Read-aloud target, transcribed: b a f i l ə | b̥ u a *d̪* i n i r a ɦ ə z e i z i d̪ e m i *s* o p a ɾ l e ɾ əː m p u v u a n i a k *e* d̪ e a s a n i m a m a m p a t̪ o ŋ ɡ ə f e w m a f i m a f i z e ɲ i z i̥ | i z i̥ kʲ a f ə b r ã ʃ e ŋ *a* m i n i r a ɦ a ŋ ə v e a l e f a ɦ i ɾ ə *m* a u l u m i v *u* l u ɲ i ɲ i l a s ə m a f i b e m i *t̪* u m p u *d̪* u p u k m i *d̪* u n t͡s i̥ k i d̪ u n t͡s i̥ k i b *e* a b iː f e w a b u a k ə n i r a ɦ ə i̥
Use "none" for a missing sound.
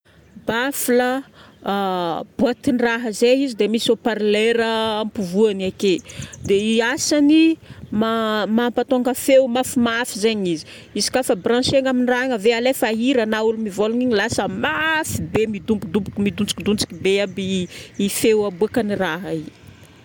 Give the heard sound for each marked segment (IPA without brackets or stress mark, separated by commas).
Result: t̪, s, e, a, n, o, d̪, d̪, d̪, e